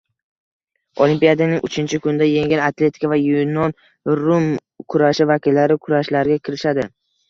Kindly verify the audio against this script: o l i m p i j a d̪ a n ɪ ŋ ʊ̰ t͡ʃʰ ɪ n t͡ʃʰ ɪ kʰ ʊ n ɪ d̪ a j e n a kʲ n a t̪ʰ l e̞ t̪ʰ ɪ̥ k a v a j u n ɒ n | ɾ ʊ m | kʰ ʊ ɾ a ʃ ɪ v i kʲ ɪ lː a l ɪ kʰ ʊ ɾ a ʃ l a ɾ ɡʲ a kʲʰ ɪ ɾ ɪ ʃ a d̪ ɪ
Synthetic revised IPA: o l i m p i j a d̪ a n ɪ ŋ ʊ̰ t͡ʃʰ ɪ n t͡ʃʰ ɪ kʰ ʊ n ɪ d̪ a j e ŋ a n a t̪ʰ l e̞ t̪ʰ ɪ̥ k a v a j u n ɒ n | ɾ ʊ m | kʰ ʊ ɾ a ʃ ɪ v a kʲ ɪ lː a ɾ ɪ kʰ ʊ ɾ a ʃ l a ɾ ɡʲ a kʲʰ ɪ ɾ ɪ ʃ a d̪ ɪ